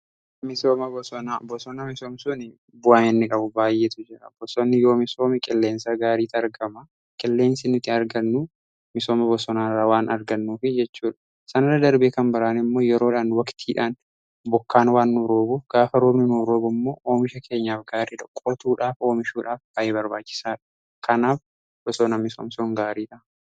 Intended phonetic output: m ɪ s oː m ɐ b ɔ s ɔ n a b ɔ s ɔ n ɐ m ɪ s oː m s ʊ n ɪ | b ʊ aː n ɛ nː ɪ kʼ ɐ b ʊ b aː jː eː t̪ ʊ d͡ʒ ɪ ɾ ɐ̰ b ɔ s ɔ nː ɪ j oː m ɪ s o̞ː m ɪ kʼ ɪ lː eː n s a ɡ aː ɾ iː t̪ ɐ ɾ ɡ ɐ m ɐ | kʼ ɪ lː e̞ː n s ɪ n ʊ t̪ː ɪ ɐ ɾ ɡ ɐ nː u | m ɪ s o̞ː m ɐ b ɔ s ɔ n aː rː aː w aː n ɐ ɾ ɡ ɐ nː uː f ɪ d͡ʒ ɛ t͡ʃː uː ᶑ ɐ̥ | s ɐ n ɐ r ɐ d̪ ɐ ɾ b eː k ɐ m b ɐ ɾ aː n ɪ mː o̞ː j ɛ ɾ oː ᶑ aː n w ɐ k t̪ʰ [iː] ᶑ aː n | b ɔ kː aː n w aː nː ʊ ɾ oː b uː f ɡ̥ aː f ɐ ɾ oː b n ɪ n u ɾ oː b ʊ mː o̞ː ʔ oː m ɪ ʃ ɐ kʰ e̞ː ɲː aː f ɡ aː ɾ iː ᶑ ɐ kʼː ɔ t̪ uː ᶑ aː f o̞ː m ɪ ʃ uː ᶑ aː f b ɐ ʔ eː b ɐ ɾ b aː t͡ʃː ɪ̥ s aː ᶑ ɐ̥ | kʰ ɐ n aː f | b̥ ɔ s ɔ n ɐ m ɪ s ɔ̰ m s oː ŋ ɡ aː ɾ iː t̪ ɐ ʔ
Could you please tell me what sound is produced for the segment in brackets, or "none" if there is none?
iː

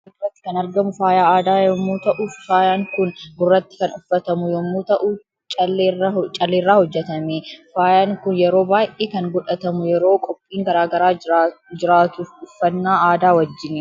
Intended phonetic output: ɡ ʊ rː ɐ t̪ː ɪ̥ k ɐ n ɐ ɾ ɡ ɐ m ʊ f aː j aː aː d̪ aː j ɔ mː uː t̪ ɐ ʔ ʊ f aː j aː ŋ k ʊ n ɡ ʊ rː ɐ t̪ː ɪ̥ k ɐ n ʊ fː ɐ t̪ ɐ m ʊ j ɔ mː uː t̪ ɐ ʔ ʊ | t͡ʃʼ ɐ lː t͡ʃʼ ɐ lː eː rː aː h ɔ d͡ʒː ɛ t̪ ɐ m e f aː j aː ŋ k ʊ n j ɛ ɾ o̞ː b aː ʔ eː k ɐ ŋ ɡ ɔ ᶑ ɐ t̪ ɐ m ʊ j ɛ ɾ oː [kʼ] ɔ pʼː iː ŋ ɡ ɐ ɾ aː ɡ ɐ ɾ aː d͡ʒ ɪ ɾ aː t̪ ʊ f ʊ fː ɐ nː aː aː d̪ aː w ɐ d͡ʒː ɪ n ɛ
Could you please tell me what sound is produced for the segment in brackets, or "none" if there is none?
kʼ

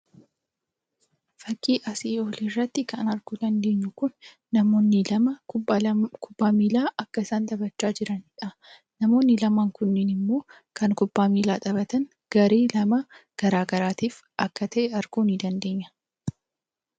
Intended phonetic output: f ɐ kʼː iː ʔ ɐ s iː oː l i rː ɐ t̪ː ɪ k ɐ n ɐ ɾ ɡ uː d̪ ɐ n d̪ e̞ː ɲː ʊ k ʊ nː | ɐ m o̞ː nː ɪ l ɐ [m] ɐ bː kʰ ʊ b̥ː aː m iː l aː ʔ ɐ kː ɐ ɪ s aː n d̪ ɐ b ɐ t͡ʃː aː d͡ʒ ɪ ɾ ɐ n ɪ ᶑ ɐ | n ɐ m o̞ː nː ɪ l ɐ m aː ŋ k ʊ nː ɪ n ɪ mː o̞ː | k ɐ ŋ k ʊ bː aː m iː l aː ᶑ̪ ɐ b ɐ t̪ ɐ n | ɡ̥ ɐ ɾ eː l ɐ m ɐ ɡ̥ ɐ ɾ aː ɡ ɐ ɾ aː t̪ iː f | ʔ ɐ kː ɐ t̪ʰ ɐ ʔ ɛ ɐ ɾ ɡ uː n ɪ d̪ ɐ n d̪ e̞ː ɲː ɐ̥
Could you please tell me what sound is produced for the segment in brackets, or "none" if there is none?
m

